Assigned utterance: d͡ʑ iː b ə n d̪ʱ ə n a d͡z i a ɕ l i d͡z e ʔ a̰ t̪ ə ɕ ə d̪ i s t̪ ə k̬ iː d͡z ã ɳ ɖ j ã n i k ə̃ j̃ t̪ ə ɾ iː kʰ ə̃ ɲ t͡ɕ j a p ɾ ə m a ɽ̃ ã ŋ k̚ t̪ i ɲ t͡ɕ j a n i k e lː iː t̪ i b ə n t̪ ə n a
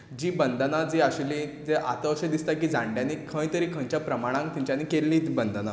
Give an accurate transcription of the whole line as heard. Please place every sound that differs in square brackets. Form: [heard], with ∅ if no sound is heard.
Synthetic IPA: d͡ʑ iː b ə n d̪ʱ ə n a d͡z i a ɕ l i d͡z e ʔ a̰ t̪ ə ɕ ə d̪ i s t̪ [a] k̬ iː d͡z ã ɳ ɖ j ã n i [kʰ] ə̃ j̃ t̪ ə ɾ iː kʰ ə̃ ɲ t͡ɕ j a p ɾ ə m a ɽ̃ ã ŋ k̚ t̪ i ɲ t͡ɕ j a n i k e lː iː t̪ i b ə n [d̪] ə n a